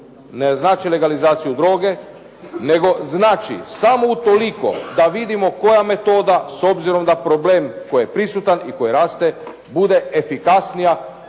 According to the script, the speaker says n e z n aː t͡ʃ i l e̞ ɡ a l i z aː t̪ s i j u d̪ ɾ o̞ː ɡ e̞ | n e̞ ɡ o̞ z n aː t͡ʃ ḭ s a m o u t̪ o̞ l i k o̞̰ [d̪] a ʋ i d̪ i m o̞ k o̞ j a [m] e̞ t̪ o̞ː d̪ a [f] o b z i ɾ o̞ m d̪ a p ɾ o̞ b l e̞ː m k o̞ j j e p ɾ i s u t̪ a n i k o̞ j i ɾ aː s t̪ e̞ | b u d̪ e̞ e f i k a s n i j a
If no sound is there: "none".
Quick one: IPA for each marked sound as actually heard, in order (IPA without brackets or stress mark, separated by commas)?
d̪, m, s